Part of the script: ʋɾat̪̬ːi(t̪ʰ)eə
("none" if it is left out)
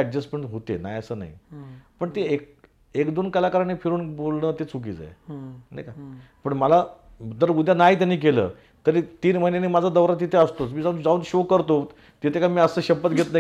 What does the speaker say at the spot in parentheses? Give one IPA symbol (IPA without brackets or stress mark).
t̪ʰ